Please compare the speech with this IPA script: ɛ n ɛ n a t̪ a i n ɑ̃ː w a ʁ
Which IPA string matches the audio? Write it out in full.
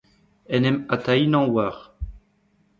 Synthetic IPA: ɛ n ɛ m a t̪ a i n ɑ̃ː w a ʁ